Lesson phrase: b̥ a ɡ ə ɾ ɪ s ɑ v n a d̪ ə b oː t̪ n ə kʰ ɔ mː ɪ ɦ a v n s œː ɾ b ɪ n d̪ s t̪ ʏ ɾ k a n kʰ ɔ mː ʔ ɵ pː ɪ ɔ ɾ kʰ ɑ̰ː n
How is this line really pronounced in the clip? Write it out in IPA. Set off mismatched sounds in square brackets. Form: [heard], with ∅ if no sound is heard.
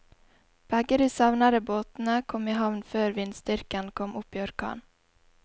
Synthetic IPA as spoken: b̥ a ɡ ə ɾ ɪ s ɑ v n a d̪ ə b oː t̪ n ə kʰ ɔ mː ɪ ɦ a v n [f] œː ɾ [v] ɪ n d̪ s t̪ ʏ ɾ k a n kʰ ɔ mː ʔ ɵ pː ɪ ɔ ɾ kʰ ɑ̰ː n